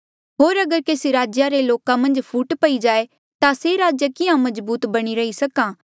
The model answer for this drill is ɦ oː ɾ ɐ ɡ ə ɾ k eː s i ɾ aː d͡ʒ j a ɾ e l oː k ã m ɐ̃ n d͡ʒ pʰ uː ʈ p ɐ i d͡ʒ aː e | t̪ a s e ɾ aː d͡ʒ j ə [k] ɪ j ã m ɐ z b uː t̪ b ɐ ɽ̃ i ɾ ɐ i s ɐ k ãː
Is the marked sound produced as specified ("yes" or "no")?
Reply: yes